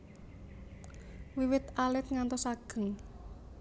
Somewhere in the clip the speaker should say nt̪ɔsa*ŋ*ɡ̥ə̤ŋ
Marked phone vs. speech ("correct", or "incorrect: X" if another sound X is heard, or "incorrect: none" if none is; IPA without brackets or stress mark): incorrect: none